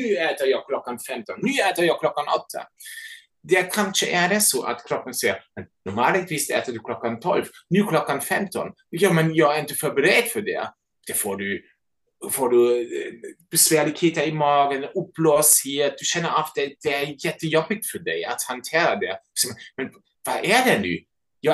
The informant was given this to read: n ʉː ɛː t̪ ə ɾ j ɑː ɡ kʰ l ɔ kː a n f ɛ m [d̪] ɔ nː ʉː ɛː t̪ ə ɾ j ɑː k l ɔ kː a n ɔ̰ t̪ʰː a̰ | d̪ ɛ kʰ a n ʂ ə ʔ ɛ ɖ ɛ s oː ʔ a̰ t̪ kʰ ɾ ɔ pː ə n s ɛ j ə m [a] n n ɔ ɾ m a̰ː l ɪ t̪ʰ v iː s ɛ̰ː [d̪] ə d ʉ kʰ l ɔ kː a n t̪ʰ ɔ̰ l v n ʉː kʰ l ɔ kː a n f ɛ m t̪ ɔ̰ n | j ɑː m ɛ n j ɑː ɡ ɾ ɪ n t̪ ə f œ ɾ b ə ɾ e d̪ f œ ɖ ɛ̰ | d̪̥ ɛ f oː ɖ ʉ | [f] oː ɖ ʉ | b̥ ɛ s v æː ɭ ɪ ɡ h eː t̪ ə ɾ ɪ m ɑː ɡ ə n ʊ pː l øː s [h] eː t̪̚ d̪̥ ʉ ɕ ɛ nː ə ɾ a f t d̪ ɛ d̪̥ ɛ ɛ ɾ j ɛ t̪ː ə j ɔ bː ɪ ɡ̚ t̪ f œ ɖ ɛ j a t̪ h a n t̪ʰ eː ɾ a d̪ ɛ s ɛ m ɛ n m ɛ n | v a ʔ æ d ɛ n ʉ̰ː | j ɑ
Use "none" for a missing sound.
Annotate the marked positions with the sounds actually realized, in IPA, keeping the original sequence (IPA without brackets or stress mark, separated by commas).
t̪, ɛ, t̪, f, h